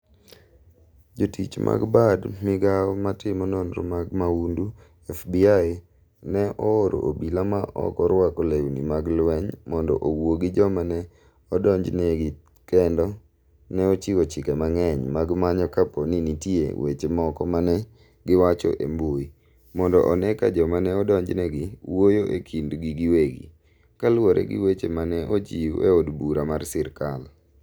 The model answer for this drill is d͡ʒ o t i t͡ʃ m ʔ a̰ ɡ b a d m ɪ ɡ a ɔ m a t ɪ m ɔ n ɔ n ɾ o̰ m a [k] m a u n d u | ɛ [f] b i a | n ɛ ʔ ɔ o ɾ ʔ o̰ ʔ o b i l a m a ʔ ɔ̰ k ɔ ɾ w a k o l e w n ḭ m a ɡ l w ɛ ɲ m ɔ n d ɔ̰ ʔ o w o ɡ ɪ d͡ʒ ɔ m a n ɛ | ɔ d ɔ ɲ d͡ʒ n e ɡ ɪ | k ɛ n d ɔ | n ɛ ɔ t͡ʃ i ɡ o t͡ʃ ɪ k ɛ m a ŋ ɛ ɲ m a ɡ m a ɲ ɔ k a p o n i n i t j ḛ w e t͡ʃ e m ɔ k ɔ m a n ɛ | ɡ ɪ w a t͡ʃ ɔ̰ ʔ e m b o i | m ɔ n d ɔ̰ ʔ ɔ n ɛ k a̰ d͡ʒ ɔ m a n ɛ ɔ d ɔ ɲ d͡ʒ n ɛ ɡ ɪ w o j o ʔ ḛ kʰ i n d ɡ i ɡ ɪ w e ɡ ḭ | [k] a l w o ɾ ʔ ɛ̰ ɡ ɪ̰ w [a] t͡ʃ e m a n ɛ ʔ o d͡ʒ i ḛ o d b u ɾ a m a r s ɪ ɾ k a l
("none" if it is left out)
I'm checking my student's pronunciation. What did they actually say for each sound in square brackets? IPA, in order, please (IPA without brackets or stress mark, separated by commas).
ɡ, f, k, e